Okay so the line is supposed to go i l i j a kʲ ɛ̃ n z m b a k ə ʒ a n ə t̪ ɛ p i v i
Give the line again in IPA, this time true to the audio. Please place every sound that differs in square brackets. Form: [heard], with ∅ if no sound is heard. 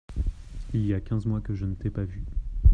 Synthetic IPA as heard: i l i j a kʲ ɛ̃ [∅] z m [w] a k ə ʒ [ə] n ə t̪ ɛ p [a] v [y]